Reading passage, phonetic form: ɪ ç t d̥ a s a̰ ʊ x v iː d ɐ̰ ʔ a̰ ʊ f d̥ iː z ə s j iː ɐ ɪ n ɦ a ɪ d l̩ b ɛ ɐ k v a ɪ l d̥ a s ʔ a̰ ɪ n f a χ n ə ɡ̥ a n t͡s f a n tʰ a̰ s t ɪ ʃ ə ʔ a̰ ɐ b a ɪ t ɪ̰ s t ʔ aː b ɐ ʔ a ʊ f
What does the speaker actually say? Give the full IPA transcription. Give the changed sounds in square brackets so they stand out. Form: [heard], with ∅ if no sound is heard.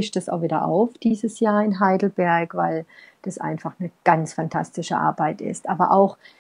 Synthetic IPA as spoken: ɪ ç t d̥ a s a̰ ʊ x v iː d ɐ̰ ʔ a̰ ʊ f d̥ iː z ə s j [aː] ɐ ɪ n ɦ a ɪ d l̩ b ɛ ɐ k v a ɪ l d̥ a s ʔ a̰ ɪ n f a χ n ə ɡ̥ a n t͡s f a n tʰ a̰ s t ɪ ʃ ə ʔ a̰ ɐ b a ɪ t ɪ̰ s t ʔ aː b ɐ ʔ a ʊ [x]